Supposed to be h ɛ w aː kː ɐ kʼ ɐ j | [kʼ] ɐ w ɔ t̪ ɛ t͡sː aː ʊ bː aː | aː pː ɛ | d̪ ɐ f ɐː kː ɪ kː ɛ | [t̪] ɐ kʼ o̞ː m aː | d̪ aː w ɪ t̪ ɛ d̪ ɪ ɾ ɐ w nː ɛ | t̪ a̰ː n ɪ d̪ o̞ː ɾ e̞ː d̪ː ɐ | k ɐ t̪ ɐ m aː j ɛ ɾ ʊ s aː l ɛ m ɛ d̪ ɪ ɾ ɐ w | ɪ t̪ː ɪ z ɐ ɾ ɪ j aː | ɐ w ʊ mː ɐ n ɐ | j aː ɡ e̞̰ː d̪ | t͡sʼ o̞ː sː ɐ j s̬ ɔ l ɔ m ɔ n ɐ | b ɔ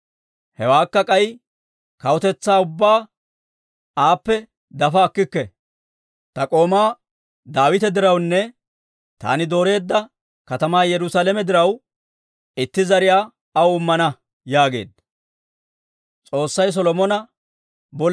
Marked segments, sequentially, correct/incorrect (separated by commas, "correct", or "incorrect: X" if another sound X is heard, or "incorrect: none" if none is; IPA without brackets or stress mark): incorrect: k, correct